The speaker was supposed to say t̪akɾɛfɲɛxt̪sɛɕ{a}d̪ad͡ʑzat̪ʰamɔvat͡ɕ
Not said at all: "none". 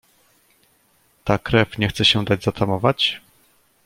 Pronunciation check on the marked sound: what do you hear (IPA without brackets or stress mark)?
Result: ɛ